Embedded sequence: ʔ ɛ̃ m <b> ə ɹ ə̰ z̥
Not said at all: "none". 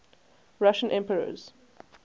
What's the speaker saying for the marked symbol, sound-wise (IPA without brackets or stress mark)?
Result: p